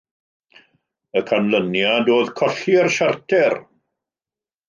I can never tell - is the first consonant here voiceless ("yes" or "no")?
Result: yes